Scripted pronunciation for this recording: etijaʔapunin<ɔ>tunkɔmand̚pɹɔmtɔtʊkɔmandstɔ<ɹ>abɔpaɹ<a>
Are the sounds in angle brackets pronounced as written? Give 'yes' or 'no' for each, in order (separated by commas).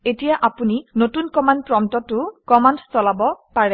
no, no, no